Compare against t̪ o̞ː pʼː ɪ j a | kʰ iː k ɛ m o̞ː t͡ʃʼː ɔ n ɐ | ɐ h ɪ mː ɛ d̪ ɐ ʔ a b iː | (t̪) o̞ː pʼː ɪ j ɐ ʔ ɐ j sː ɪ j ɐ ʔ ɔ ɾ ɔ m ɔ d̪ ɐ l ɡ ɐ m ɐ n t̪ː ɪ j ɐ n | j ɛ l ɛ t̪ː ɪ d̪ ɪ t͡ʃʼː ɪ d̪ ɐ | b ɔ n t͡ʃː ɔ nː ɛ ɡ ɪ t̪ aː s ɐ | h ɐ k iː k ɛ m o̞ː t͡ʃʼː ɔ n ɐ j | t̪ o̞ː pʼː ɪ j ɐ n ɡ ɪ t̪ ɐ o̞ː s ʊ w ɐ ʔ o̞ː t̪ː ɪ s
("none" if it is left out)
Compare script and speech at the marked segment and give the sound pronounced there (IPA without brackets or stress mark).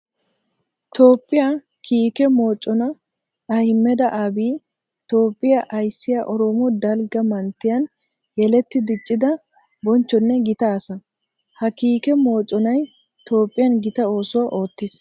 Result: t̪